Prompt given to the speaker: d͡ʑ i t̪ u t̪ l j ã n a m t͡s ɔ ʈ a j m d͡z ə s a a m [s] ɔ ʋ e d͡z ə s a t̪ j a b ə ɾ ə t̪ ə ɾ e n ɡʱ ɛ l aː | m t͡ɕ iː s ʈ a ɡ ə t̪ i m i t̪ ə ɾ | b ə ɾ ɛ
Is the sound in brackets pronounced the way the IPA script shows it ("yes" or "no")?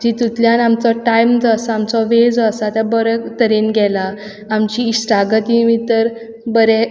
no